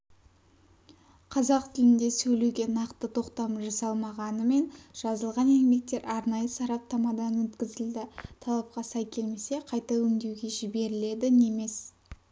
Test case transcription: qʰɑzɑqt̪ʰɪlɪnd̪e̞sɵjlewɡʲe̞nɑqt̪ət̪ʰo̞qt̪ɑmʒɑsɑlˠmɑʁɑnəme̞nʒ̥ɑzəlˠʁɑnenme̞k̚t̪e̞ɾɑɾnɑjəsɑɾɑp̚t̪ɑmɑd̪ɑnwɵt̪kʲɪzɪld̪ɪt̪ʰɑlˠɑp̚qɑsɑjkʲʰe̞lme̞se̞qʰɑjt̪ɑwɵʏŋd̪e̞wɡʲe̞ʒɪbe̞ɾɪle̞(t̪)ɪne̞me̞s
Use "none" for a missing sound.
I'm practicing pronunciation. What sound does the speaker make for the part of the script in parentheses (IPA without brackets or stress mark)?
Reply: d̪